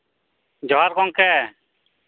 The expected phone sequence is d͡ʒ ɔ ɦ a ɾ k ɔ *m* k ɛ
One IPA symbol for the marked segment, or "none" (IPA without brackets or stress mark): ŋ